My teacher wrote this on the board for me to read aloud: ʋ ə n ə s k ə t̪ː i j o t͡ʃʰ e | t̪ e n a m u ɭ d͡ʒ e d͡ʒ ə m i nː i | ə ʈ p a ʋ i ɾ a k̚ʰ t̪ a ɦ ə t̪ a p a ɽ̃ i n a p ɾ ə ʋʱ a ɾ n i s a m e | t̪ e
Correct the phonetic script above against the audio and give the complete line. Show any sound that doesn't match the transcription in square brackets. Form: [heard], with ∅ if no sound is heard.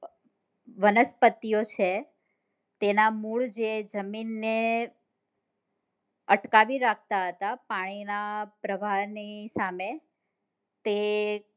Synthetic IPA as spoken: ʋ ə n ə s [p] ə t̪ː i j o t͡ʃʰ e | t̪ e n a m u ɭ d͡ʒ e d͡ʒ ə m i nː [e] | ə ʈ [k] a ʋ i ɾ a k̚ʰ t̪ a ɦ ə t̪ a p a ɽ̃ i n a p ɾ ə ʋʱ a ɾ n i s a m e | t̪ e